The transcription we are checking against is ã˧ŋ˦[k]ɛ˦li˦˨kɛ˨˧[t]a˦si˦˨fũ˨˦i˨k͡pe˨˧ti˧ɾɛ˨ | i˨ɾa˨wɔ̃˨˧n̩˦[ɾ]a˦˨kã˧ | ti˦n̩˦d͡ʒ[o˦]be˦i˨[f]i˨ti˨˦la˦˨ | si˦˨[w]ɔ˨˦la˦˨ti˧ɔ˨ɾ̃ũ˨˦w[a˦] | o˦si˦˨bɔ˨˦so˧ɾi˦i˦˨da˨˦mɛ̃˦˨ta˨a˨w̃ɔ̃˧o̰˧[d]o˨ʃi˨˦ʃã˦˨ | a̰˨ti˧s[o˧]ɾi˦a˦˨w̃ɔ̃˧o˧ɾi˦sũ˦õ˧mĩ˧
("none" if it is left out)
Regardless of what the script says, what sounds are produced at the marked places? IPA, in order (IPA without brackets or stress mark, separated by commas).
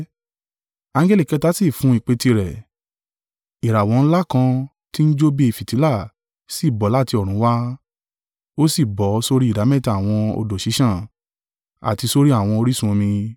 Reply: ɡ, t, l, o˦, f, b, a˦, d, o˧